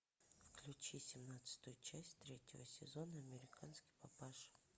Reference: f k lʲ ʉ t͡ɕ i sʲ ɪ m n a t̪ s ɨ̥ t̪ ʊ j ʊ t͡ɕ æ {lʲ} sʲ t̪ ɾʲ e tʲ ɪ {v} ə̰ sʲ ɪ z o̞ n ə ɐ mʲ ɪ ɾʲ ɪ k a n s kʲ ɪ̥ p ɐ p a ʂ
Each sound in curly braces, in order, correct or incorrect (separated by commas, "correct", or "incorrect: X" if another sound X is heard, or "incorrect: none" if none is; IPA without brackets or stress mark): incorrect: none, correct